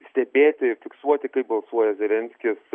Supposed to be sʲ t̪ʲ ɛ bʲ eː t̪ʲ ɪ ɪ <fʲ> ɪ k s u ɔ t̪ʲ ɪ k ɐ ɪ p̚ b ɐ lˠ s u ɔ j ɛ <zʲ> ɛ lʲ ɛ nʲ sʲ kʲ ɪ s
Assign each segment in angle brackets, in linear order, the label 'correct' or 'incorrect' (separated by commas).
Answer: correct, correct